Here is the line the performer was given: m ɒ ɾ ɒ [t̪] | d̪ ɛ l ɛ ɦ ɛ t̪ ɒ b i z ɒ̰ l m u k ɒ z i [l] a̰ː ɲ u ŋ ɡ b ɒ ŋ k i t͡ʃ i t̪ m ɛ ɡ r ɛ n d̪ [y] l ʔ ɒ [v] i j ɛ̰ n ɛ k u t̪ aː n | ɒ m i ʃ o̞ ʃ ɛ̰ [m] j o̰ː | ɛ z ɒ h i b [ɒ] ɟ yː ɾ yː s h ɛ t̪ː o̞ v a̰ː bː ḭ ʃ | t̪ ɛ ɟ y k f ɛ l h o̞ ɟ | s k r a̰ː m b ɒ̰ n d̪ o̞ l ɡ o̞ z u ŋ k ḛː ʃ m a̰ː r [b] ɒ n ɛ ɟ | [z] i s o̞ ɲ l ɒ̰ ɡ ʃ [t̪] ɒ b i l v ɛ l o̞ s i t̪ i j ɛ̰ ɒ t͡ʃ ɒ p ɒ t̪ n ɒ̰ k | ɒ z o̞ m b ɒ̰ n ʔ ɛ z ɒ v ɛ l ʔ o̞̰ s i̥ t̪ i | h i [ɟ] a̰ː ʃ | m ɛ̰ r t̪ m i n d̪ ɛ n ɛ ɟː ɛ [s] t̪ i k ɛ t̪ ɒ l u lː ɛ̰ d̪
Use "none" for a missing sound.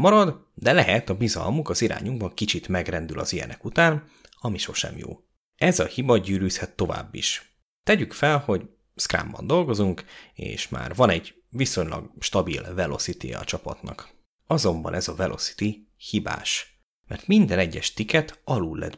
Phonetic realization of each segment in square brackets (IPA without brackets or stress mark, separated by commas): d̪, ɾ, y, z, m, ɒ, v, v, t̪, b, ʃ